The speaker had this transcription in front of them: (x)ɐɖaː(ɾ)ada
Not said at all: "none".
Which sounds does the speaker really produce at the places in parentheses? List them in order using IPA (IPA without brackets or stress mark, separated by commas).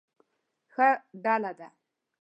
x, l